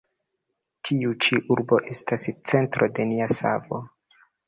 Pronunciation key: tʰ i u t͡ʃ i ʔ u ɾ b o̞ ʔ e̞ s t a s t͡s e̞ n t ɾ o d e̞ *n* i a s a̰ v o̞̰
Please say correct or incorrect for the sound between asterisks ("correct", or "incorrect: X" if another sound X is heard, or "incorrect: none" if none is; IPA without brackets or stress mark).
correct